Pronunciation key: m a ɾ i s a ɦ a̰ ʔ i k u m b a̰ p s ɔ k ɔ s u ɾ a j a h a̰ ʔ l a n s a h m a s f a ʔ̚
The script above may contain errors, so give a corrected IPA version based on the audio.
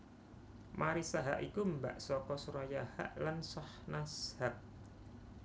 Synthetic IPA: m a ɾ i s a ɦ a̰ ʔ i k u m b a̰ ʔ s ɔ k ɔ s u ɾ a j a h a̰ ʔ l a n s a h n a s h a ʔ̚